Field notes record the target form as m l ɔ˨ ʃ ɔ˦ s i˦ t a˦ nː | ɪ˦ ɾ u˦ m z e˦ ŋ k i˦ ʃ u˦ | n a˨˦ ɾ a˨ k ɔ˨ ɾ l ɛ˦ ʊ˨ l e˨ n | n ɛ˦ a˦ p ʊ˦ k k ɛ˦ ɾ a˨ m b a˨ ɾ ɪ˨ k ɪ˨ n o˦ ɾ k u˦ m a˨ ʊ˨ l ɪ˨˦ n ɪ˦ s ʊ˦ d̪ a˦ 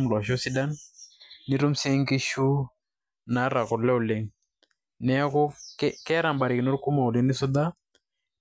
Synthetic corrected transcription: m l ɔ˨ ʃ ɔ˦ s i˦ d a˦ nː | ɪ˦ ɾ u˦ m s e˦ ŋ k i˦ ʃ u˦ | n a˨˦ ɾ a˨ k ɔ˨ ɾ l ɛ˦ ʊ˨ l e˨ ŋ | n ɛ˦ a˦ k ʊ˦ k k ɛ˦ ɾ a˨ m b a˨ ɾ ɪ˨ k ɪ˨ n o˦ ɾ k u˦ m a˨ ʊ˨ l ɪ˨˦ n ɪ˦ s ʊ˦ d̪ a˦